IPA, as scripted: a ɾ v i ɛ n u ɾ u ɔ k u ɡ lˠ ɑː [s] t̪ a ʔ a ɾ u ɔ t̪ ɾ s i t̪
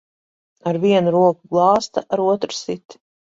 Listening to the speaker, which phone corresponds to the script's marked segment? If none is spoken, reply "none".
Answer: s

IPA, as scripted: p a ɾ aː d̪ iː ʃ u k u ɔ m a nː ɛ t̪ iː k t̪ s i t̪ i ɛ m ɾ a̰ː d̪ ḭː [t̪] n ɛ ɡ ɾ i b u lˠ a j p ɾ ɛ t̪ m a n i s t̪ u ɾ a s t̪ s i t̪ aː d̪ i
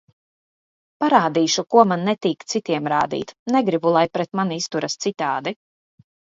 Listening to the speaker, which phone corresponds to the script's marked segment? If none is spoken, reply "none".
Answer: t̪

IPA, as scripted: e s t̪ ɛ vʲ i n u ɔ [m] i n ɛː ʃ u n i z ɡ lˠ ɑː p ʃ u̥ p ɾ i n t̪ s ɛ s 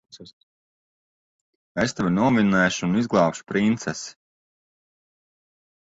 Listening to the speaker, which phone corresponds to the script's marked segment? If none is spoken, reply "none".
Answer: m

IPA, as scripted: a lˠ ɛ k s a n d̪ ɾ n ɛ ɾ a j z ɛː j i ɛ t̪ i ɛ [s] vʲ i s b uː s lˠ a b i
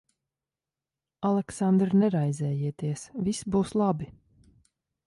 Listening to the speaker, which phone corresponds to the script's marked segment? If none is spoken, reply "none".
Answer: s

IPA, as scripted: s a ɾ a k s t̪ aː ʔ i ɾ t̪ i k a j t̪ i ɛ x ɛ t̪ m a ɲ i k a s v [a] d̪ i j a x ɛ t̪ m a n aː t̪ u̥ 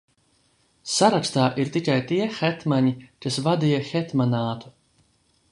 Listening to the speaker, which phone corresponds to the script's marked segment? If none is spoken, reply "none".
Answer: a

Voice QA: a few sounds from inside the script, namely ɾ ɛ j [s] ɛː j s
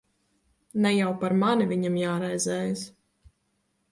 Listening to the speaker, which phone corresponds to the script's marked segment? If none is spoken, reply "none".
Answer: z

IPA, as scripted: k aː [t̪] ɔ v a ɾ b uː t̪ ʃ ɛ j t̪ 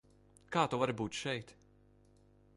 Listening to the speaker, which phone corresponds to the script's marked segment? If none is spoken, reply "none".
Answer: t̪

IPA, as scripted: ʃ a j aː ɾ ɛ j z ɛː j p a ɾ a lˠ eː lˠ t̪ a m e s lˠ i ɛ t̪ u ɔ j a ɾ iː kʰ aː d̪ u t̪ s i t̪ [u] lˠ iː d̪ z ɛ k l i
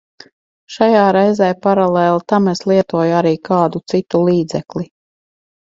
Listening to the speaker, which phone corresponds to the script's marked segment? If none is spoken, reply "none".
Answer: u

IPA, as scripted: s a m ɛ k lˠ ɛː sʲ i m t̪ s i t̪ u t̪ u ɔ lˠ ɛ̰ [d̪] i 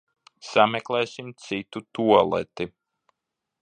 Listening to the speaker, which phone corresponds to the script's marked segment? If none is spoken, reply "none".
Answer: t̪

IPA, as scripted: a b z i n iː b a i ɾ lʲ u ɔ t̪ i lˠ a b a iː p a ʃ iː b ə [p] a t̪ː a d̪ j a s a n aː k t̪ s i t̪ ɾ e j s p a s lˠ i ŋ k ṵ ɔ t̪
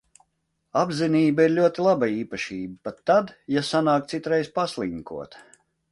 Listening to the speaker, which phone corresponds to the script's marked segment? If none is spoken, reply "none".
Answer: p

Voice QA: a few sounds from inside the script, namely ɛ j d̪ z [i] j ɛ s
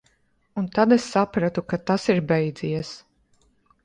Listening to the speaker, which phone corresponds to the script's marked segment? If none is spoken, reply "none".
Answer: i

